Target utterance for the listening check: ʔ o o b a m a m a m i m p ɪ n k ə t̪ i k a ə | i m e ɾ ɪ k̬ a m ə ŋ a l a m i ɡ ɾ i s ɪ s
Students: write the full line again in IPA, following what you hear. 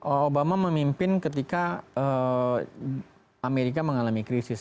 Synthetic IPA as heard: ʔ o o b a m a m ə m i m p ɪ n k ə t̪ i k a ə | a m e ɾ i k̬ a m ə ŋ a l a m i k ɾ i s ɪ s